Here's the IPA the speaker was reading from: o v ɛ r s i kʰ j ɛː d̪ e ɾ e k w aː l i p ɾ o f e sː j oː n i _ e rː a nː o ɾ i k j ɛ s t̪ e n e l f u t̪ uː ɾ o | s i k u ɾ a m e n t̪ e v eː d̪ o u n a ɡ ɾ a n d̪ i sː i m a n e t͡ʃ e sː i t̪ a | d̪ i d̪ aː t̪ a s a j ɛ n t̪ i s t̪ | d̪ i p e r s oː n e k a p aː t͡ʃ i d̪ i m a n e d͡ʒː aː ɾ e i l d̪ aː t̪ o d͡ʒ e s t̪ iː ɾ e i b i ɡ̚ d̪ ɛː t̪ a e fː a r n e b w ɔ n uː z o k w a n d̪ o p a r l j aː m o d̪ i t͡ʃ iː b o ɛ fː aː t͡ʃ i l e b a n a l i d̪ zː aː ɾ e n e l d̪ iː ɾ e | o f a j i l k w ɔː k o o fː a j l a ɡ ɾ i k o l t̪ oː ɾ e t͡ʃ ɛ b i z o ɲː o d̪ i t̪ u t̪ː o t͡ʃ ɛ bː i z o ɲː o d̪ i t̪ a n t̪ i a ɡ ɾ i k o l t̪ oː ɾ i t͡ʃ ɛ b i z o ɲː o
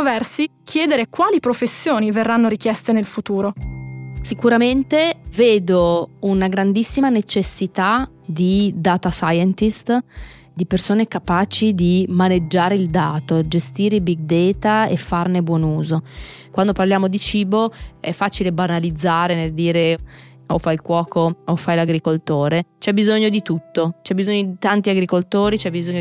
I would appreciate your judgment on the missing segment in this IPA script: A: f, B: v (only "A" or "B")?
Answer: B